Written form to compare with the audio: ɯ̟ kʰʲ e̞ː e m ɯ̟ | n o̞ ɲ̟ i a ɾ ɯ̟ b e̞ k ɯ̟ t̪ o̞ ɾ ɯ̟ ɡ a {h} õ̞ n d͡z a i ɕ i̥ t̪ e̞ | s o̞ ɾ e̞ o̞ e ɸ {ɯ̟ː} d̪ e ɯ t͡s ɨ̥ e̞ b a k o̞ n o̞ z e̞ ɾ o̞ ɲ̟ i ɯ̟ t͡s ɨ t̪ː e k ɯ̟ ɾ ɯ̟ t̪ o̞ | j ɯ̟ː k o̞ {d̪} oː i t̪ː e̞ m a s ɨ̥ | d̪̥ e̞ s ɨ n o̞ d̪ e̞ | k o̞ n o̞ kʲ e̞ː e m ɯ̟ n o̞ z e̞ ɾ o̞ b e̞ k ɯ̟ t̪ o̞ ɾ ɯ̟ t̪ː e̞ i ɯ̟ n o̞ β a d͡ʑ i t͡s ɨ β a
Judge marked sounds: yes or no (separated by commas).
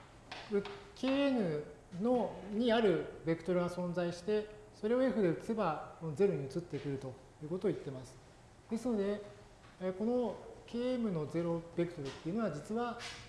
no, no, no